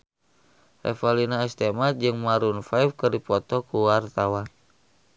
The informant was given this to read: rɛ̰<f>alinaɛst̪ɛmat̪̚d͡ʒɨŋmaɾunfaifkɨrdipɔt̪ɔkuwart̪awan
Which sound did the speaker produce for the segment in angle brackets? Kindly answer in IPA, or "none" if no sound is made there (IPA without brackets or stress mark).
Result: f